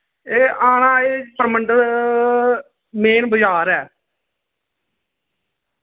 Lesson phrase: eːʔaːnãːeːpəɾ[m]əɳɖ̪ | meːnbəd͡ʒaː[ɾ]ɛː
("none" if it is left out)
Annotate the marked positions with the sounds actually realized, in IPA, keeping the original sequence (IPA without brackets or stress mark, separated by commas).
m, ɾ